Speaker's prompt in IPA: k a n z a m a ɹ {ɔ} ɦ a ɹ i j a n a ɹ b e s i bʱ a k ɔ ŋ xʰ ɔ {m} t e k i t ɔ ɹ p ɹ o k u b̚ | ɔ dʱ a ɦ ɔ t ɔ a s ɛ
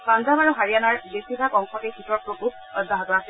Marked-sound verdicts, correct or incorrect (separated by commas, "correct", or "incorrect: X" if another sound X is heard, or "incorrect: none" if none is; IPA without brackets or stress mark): incorrect: u, incorrect: none